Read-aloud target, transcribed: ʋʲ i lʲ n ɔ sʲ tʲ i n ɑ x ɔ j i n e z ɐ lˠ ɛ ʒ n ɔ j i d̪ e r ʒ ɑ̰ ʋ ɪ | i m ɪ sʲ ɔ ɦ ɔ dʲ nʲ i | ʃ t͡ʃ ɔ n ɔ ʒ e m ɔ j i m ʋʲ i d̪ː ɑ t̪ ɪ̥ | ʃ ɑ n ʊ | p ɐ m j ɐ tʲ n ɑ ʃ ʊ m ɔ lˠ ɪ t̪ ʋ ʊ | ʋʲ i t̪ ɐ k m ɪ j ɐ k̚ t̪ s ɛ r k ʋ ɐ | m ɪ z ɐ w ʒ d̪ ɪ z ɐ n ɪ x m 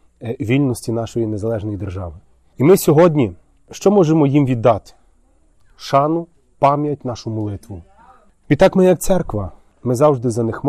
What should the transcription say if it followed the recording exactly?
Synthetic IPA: ʋʲ i lʲ n ɔ sʲ tʲ i n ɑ ʃ ɔ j i n e z ɐ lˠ ɛ ʒ n ɔ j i d̪ e r ʒ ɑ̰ ʋ ɪ | i m ɪ sʲ ɔ ɦ ɔ dʲ nʲ i | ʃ t͡ʃ ɔ m ɔ ʒ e m ɔ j i m ʋʲ i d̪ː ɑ t̪ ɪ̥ | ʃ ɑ n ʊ | p ɑ m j ɐ tʲ n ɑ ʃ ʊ m ɔ lˠ ɪ t̪ ʋ ʊ | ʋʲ i t̪ ɑ k m ɪ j ɐ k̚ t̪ s ɛ r k ʋ ɐ | m ɪ z ɑ w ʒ d̪ ɪ z ɐ n ɪ x m